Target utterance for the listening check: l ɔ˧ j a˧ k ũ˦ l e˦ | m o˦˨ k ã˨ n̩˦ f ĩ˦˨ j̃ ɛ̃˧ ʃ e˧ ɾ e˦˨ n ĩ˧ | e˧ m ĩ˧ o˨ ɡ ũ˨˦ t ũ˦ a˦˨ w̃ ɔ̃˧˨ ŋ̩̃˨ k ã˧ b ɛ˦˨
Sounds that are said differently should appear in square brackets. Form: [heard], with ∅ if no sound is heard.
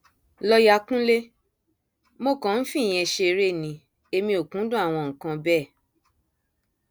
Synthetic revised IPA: l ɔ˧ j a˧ k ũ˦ l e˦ | m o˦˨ k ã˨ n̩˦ f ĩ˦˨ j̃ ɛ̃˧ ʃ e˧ ɾ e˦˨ n ĩ˧ | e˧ m ĩ˧ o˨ [k] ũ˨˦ [d] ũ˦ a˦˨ w̃ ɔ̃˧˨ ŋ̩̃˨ k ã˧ b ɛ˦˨

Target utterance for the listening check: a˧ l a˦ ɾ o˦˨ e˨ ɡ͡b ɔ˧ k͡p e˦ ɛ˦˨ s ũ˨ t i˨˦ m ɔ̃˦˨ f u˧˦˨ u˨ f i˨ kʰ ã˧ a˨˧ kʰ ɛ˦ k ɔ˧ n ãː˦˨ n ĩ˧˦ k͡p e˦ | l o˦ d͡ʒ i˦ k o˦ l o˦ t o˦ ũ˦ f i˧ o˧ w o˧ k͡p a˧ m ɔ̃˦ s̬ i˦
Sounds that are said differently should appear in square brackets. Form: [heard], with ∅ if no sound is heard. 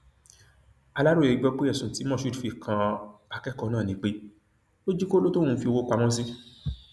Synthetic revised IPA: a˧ l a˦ ɾ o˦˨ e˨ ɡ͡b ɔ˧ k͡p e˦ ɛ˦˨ s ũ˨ t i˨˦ m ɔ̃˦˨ [ʃ] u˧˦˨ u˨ f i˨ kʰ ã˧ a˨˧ [k] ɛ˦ k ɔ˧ n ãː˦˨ n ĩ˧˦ k͡p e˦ | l o˦ d͡ʒ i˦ k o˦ l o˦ t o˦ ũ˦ f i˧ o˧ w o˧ k͡p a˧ m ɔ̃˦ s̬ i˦

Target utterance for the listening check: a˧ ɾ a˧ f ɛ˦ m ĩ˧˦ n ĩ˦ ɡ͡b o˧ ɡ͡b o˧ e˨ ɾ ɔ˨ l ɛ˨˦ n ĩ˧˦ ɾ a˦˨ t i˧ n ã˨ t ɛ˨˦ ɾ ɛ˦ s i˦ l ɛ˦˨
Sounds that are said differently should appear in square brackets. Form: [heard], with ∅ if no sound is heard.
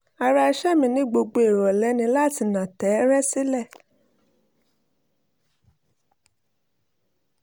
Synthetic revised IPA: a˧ ɾ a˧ [ʃ] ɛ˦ m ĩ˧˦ n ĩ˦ ɡ͡b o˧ ɡ͡b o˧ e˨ ɾ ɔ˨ l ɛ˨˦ n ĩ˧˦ [l] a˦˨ t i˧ n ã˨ t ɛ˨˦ ɾ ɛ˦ s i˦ l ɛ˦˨

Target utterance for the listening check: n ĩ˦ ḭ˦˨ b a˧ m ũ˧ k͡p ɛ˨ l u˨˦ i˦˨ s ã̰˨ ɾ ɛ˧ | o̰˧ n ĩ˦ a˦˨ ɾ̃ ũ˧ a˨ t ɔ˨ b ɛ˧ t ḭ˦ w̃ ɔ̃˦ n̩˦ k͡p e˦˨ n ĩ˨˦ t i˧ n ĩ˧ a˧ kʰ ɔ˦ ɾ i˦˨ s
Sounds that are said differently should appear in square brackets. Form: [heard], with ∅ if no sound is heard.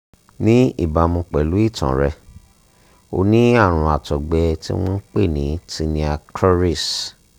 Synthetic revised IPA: n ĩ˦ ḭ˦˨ b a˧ m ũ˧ k͡p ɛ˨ l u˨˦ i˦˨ [t] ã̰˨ ɾ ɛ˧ | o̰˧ n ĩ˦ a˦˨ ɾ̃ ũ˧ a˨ t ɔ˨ [ɡ͡b] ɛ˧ t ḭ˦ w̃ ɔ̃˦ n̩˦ k͡p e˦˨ n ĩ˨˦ t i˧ n ĩ˧ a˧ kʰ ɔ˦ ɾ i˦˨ s

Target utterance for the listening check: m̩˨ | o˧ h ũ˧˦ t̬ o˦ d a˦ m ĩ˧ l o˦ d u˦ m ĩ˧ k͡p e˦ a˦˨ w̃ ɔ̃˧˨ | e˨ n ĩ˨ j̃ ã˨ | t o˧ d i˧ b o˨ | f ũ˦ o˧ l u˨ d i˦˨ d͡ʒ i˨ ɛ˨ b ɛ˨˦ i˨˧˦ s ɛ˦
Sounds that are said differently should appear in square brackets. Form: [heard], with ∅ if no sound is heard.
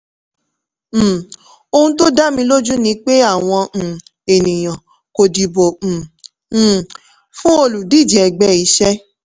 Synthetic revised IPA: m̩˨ | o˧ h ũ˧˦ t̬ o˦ d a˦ m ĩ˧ l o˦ [d͡ʒ] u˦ [n] ĩ˧ k͡p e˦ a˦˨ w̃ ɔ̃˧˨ | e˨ n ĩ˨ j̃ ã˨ | [k] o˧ d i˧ b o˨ | f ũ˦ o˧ l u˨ d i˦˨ d͡ʒ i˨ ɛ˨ [ɡ͡b] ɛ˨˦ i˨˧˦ [ʃ] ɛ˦

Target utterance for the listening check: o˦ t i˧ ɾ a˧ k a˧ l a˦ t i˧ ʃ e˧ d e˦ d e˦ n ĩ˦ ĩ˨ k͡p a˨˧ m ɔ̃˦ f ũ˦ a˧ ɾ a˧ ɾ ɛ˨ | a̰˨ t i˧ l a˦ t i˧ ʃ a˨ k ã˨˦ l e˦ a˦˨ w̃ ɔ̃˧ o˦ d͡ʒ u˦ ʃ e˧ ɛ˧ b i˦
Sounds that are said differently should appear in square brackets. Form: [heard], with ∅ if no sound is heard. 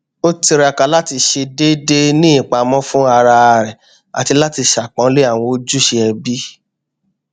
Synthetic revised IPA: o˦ t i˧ ɾ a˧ k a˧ l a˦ t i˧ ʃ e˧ d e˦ d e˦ n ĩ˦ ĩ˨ k͡p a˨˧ m ɔ̃˦ f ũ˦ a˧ ɾ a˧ ɾ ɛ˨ | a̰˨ t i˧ l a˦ t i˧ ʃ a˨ [k͡p] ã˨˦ l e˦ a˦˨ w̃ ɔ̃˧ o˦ d͡ʒ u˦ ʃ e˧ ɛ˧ b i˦

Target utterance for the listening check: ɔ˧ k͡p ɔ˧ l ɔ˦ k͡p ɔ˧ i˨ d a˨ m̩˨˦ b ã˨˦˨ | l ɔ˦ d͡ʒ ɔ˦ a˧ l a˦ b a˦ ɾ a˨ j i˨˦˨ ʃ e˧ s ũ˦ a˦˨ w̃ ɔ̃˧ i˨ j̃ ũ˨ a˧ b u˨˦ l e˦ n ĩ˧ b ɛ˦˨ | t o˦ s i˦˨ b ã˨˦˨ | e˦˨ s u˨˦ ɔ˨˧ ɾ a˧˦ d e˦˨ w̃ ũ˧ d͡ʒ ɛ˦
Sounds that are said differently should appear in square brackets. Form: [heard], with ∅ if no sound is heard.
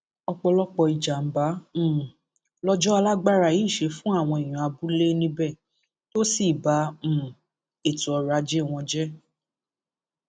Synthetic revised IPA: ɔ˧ k͡p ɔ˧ l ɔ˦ k͡p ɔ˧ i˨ [d͡ʒ] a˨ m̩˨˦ b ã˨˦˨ | l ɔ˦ d͡ʒ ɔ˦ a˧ l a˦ [ɡ͡b] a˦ ɾ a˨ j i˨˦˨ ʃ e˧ [f] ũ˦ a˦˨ w̃ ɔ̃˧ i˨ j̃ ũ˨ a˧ b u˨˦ l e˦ n ĩ˧ b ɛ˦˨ | t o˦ s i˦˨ b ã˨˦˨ | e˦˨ [t] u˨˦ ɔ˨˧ ɾ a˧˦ [d͡ʒ] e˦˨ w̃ [ɔ̃˧] d͡ʒ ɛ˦

